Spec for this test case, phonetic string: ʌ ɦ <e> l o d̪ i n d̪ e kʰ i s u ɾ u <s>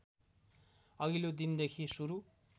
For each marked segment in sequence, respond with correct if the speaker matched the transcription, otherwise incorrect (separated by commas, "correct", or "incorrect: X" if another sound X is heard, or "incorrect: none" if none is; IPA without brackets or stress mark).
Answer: incorrect: i, incorrect: none